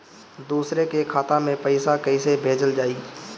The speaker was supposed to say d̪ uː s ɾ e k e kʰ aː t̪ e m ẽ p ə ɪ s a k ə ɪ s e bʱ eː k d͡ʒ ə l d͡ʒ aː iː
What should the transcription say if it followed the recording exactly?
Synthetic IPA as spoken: d̪ uː s ɾ e k e kʰ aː t̪ a m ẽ p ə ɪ s a k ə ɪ s e bʱ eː d͡ʒ ə l d͡ʒ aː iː